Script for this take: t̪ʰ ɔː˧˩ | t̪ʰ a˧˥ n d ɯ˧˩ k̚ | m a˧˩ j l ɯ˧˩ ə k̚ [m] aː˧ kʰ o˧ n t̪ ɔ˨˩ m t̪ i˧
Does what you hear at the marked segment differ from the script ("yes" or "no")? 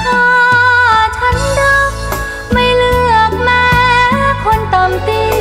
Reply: no